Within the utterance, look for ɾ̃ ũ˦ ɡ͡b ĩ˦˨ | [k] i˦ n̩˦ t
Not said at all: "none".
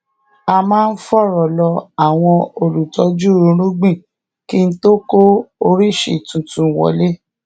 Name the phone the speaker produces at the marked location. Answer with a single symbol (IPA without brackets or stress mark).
k